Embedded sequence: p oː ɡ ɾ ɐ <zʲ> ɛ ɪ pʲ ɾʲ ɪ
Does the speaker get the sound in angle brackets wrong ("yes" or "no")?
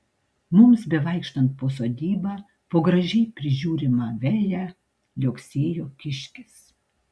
yes